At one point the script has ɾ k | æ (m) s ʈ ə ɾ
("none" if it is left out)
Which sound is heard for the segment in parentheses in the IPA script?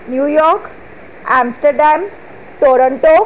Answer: m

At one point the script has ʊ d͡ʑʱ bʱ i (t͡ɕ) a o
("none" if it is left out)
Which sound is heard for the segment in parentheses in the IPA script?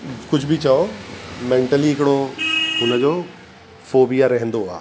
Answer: t͡ɕ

